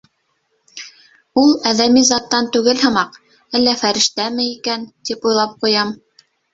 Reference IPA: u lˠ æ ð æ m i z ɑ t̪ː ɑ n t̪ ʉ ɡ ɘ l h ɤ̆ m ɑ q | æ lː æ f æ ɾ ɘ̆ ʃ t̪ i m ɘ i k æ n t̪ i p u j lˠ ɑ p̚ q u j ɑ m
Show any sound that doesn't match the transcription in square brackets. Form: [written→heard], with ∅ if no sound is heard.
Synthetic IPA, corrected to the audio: u lˠ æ ð æ m i z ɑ t̪ː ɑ n t̪ ʉ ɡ ɘ l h ɤ̆ m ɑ q | æ lː æ f æ ɾ ɘ̆ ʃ t̪ [i→æ] m ɘ i k æ n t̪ i p u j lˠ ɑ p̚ q u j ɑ m